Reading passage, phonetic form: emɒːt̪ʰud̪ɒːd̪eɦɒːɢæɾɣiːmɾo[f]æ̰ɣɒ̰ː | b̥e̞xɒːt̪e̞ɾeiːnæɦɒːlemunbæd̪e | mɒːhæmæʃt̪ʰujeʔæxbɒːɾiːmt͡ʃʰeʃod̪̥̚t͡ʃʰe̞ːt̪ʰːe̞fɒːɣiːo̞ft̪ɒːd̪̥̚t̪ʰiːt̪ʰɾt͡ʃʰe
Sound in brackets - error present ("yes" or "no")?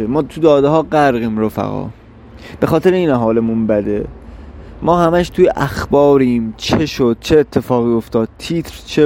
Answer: no